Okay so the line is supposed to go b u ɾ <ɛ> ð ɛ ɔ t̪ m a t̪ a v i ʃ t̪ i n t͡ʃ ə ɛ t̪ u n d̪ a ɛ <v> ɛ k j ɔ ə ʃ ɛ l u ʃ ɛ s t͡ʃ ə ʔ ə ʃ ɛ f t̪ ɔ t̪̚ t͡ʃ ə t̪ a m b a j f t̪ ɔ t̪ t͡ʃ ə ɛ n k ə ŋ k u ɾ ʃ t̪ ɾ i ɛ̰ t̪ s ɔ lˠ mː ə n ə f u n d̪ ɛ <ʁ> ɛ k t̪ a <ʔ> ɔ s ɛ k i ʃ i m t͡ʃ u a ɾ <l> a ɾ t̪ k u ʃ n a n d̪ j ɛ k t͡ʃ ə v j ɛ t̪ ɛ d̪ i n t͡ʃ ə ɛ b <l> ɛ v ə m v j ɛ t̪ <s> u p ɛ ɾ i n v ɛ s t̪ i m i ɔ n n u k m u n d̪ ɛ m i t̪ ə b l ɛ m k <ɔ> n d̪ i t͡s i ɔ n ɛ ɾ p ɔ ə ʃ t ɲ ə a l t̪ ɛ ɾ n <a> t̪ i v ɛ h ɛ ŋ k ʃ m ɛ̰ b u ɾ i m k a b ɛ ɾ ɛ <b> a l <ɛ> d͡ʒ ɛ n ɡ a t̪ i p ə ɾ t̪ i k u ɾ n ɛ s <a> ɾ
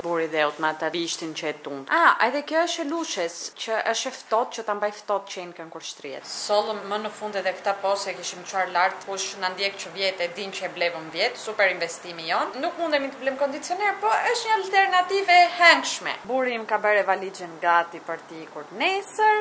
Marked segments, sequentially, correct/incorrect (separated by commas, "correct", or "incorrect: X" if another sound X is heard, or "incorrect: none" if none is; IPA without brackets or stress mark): incorrect: i, incorrect: ð, incorrect: ð, incorrect: p, correct, correct, correct, correct, correct, incorrect: v, incorrect: i, incorrect: ə